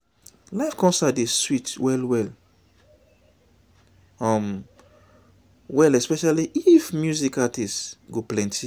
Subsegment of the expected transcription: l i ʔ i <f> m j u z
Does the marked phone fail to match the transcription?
no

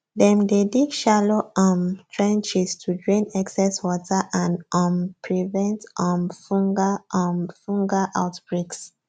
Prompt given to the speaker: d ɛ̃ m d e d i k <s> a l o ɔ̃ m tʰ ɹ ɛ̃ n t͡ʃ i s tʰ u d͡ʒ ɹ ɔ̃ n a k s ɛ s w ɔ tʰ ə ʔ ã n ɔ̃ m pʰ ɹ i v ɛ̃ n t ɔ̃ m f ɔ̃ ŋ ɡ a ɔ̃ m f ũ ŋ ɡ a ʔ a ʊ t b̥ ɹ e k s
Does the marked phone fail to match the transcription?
yes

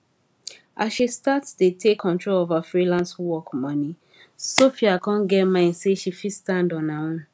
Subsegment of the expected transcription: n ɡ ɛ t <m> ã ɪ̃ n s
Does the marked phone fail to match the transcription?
no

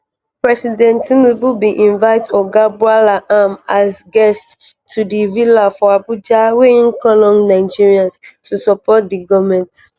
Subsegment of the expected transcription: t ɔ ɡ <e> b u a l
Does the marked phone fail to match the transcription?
yes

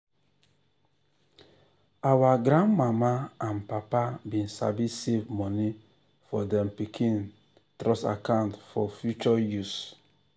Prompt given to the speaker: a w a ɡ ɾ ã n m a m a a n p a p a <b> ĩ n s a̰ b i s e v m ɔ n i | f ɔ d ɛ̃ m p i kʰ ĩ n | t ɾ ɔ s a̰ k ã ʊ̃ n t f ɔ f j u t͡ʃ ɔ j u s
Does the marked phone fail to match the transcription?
no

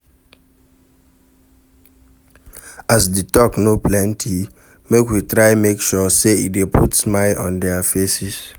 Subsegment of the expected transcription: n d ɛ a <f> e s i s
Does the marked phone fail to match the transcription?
no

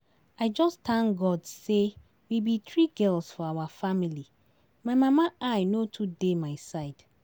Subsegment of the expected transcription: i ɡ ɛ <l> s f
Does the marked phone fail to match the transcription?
no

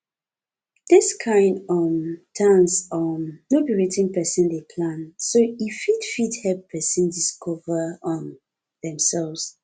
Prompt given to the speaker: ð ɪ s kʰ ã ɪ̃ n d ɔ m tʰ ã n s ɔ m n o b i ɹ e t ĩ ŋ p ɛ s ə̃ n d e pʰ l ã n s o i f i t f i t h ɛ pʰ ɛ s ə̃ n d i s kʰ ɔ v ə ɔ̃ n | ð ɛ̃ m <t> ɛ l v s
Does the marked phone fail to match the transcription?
yes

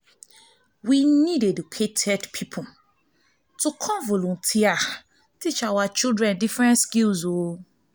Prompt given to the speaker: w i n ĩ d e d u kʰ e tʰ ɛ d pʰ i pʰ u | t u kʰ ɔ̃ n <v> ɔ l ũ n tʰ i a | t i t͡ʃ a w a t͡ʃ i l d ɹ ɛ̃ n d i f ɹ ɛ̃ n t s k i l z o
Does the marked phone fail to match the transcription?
no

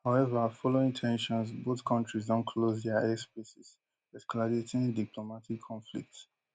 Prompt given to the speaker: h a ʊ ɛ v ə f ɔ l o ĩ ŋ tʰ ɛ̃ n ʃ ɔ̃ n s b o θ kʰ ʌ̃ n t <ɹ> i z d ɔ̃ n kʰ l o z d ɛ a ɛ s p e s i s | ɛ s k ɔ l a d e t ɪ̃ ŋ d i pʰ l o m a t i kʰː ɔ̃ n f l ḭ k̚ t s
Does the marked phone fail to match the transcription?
no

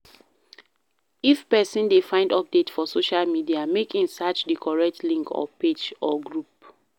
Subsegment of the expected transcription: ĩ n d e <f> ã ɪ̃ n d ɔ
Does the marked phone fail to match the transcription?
no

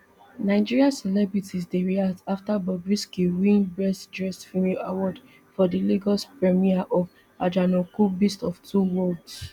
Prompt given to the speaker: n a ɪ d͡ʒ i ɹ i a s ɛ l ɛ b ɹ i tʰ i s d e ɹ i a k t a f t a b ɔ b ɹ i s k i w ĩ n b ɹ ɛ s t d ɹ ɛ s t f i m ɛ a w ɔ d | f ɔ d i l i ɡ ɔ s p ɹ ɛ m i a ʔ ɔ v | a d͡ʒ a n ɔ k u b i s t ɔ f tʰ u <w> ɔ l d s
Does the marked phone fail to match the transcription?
no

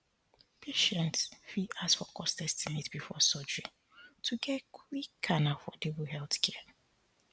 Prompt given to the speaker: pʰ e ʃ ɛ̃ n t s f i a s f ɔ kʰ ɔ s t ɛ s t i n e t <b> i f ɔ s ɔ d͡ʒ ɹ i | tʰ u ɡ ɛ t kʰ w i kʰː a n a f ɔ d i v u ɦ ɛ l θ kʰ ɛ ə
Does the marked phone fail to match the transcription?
no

